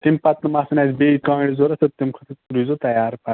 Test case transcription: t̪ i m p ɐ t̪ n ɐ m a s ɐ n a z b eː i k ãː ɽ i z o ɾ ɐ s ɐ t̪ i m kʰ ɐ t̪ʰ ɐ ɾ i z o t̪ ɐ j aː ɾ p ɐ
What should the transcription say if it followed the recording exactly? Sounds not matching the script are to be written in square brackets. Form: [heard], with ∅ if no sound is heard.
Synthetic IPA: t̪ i m p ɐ t̪ n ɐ m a s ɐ n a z b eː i k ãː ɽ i z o ɾ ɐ s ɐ t̪ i m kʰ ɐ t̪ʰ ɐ ɾ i z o t̪ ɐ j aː ɾ p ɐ